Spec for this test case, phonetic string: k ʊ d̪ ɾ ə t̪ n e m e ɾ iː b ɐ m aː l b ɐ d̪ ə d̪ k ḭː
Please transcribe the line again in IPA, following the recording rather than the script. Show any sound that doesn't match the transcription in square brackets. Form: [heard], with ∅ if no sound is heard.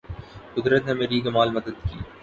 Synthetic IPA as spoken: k ʊ d̪ ɾ ə t̪ n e m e ɾ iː [ɡ] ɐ m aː l [m] ɐ d̪ ə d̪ k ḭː